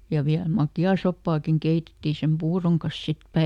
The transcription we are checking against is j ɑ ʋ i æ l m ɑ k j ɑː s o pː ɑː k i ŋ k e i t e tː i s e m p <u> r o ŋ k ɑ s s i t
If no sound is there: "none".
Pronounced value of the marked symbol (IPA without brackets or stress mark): uː